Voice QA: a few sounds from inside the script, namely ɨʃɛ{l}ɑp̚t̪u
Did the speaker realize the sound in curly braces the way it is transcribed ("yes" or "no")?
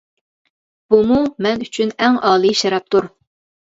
no